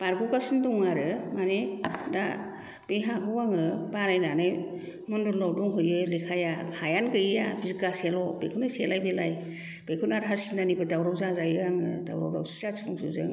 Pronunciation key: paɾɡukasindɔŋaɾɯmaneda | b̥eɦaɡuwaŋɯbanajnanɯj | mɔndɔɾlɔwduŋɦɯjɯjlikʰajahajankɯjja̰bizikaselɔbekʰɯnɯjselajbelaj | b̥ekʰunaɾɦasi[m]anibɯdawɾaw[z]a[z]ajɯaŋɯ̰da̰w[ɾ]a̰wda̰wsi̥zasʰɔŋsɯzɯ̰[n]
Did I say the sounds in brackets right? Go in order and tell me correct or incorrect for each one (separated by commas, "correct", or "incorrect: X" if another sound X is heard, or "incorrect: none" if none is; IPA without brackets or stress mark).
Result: incorrect: n, correct, correct, correct, incorrect: ŋ